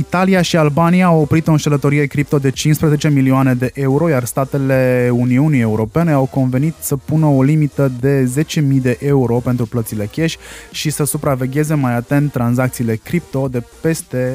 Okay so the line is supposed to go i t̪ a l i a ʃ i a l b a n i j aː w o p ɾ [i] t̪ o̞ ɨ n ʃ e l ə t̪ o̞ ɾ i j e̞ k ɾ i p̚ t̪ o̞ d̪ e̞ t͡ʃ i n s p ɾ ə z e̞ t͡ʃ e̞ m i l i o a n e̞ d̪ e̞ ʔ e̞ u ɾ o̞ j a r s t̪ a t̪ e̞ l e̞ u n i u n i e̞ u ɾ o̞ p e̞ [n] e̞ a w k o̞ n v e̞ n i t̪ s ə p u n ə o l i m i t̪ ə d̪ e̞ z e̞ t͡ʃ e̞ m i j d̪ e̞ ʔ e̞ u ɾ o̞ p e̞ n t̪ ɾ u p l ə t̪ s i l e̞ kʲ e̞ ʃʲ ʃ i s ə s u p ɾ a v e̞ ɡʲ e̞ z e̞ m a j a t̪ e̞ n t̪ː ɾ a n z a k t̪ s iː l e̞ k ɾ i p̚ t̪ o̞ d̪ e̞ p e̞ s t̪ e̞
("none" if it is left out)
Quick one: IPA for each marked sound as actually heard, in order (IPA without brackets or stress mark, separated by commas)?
i, n